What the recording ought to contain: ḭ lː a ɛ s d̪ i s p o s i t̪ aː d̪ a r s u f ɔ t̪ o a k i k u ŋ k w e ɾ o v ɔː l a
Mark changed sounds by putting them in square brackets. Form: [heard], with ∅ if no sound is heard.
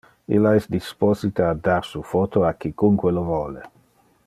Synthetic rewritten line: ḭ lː a ɛ s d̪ i s p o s i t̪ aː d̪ a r s u f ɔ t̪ o a k i k u ŋ k w e [l] o v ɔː l [e]

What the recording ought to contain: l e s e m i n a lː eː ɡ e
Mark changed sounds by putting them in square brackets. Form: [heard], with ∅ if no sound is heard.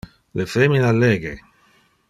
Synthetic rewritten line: l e [f] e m i n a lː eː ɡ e

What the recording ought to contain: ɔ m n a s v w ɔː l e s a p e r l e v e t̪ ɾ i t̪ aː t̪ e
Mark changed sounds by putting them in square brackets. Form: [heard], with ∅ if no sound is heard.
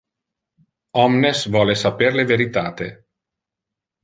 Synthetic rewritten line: ɔ m n [e] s v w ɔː l e s a p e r l e v e [∅] ɾ i t̪ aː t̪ e

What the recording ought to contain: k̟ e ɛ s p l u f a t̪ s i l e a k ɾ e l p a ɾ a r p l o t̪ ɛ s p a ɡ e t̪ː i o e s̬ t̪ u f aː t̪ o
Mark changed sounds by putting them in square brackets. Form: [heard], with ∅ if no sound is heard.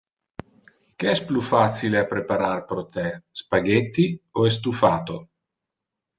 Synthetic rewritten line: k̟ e ɛ s p l u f a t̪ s i l e a [p] ɾ e [∅] p a ɾ a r p [ɾ] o t̪ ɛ s p a ɡ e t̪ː i o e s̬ t̪ u f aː t̪ o

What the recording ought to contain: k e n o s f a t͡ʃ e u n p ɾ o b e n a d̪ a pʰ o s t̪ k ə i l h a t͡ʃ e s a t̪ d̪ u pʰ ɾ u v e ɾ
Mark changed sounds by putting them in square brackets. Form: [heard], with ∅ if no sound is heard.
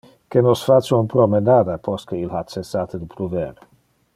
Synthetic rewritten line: k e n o s f a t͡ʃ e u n p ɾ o [m] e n a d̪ a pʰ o s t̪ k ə i l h a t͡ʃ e s a t̪ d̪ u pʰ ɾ u v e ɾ

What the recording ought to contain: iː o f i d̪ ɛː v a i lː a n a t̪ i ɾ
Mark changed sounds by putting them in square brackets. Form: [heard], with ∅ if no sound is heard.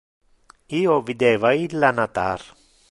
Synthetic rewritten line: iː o [v] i d̪ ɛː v a i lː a n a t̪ [a] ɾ

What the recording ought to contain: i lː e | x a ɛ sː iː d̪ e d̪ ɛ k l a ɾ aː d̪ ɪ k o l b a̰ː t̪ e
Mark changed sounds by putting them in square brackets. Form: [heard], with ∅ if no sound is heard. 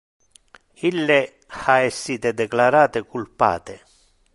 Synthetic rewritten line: i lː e | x a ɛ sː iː [t̪] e d̪ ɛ k l a ɾ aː [t̪] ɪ k [u] l [p] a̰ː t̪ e

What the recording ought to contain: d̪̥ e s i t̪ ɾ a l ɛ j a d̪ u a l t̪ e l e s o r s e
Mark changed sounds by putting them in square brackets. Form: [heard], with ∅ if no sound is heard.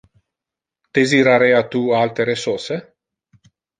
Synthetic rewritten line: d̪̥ e [z] i [∅] ɾ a [ɾ] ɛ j a [t̪] u a l t̪ e [ɾ] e s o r s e

